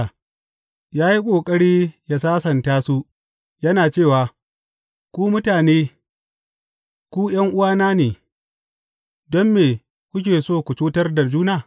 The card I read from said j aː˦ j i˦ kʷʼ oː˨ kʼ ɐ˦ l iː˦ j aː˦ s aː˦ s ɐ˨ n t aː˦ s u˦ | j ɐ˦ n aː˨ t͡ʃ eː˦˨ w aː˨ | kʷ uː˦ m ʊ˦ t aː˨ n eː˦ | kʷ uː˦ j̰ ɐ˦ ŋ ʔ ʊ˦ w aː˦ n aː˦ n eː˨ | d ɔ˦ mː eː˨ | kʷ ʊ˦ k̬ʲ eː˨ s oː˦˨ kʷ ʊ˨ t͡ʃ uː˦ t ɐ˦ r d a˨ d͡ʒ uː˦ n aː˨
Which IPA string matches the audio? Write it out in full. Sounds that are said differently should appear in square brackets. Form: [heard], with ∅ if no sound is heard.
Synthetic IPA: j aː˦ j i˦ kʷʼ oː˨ kʼ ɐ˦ [ɽ] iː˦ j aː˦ s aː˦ s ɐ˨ n t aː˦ s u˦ | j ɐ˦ n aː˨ t͡ʃ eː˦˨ w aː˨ | kʷ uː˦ m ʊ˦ t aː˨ n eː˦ | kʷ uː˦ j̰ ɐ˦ ŋ ʔ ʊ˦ w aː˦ n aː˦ n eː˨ | d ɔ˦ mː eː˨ | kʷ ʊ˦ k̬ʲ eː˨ s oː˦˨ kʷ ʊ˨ t͡ʃ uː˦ t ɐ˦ r d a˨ d͡ʒ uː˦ n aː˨